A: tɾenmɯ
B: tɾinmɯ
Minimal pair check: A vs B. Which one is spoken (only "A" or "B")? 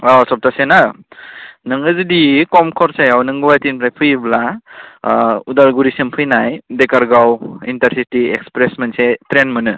A